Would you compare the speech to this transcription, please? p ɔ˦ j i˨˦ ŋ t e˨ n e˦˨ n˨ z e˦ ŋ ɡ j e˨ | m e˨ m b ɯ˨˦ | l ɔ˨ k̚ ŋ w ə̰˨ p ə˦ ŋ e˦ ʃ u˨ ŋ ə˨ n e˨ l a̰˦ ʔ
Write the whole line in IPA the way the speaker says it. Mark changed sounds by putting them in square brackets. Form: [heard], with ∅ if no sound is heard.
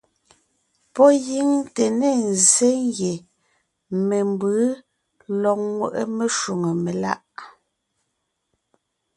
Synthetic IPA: p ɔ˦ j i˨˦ ŋ t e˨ n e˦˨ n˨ z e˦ ŋ ɡ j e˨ | m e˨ m b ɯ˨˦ | l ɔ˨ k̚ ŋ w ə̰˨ [ʔ] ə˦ [m] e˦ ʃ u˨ ŋ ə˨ [m] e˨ l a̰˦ ʔ